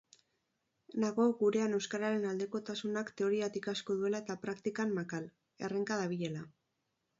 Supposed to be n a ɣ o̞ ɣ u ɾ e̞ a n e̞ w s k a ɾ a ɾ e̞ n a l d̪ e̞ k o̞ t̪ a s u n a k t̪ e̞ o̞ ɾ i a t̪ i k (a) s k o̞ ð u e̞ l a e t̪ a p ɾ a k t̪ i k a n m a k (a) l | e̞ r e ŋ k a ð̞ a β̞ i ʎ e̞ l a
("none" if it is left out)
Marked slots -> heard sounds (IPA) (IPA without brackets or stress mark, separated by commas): a, a